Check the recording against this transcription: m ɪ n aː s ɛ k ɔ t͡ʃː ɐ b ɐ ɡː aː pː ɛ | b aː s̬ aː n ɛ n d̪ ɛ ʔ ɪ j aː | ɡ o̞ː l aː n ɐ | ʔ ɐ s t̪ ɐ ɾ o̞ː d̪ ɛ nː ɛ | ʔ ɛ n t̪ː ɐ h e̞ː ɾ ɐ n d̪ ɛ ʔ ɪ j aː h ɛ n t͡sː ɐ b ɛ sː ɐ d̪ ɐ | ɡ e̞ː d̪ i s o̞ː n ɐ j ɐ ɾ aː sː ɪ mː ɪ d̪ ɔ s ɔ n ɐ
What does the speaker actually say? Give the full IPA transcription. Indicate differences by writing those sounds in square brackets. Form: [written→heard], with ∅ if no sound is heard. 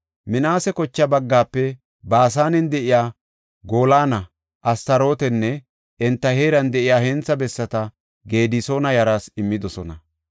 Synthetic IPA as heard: m ɪ n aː s ɛ k ɔ t͡ʃː ɐ b ɐ ɡː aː pː ɛ | b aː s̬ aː n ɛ n d̪ ɛ ʔ ɪ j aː | ɡ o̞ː l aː n ɐ | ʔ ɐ s t̪ ɐ ɾ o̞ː [d̪→t̪] ɛ nː ɛ | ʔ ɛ n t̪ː ɐ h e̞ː ɾ ɐ n d̪ ɛ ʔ ɪ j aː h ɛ n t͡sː ɐ b ɛ sː ɐ [d̪→t̪] ɐ | ɡ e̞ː d̪ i s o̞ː n ɐ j ɐ ɾ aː [sː→s] ɪ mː ɪ d̪ ɔ s ɔ n ɐ